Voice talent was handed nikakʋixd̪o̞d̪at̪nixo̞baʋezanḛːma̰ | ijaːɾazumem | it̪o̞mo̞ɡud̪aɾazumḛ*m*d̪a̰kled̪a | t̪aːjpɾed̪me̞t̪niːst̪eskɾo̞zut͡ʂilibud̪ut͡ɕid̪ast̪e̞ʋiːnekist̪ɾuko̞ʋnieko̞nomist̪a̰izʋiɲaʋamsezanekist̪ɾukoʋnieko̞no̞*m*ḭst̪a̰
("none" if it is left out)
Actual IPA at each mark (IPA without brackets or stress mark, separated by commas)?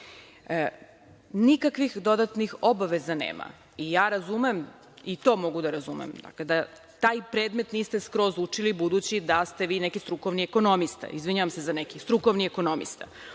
m, m